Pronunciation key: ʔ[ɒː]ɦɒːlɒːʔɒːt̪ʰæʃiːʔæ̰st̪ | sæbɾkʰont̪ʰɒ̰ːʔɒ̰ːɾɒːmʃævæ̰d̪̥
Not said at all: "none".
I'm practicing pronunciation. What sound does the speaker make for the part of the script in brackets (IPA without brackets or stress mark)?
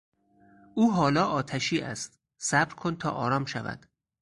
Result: uː